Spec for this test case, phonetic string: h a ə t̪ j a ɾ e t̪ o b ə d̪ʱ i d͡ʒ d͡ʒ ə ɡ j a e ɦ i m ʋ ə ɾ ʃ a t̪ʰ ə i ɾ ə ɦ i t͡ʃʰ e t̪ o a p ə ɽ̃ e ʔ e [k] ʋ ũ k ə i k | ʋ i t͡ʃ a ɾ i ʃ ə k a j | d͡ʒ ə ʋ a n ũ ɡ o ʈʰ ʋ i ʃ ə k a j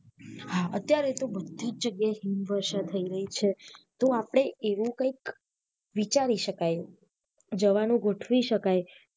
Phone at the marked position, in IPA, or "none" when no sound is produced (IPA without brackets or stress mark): none